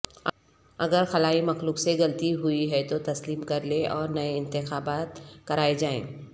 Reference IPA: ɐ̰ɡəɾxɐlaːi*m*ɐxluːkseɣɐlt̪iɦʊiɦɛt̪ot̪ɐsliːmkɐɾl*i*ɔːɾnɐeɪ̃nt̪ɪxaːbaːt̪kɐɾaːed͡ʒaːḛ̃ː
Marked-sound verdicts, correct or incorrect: correct, incorrect

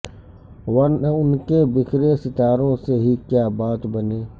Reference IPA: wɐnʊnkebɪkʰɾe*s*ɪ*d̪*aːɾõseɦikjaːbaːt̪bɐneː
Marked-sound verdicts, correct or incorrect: correct, incorrect

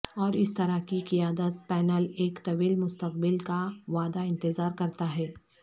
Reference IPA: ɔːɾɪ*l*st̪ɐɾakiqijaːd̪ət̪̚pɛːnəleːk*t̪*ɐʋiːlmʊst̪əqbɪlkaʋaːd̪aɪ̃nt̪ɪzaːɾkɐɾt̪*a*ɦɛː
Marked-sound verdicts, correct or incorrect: incorrect, correct, correct

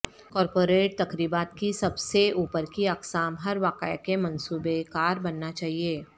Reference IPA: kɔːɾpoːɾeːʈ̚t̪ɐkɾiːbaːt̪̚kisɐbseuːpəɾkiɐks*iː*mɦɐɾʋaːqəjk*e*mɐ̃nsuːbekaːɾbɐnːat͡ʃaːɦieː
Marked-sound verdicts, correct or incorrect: incorrect, correct

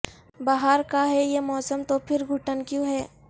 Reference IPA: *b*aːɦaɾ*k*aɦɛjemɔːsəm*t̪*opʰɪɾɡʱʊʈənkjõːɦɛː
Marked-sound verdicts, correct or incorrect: correct, correct, correct

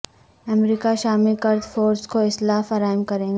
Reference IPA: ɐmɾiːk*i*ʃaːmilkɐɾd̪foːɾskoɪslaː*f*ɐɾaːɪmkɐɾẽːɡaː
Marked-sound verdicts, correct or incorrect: incorrect, correct

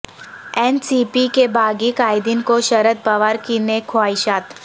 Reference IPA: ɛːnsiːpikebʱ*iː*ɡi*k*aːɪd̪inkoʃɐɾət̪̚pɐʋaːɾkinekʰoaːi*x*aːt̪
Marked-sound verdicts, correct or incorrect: incorrect, correct, incorrect

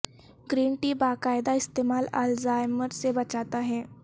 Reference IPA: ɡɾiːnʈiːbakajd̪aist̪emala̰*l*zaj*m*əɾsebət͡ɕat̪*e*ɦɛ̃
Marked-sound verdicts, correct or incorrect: correct, correct, incorrect

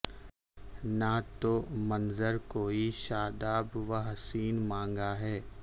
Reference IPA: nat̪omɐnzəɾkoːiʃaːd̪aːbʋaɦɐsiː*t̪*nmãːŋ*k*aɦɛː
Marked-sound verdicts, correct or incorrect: incorrect, incorrect

